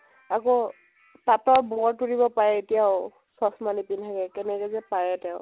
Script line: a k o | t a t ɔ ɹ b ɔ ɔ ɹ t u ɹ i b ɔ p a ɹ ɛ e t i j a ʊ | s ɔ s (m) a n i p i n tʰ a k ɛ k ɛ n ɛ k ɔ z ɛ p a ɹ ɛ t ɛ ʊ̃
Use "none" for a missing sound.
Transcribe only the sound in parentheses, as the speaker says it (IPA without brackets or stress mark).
m